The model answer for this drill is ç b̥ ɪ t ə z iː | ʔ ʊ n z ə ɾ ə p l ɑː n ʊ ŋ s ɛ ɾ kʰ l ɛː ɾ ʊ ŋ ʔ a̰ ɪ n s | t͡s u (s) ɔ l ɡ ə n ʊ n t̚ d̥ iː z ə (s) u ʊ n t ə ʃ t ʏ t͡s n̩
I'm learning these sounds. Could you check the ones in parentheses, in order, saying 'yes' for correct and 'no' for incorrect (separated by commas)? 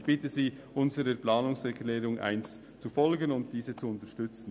no, no